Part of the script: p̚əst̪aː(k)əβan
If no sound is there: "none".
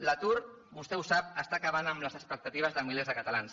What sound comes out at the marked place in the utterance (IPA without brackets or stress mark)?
k